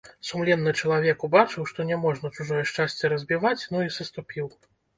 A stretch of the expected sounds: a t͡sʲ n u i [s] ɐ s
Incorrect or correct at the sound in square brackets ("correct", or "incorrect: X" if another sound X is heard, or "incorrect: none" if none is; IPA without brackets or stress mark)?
correct